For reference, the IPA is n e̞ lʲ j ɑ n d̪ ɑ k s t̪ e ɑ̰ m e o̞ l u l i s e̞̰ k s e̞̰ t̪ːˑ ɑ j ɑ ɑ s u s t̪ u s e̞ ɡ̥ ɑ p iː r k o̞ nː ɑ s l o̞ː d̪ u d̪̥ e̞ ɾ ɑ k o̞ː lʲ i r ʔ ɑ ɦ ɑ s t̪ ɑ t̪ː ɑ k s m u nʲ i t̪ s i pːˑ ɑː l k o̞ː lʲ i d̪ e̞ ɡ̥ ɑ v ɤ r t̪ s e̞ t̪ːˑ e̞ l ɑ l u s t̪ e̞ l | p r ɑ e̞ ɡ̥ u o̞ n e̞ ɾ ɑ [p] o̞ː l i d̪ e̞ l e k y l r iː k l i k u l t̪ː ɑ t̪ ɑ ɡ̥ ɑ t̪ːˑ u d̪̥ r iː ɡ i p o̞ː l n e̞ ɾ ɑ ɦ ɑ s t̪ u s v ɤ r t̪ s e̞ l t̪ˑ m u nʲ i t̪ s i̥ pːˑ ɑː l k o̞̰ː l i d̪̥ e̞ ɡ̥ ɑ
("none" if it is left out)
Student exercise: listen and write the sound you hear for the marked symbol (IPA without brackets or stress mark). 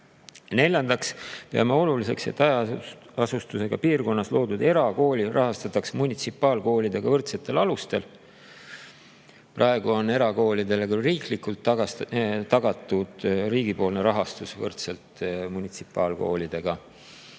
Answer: k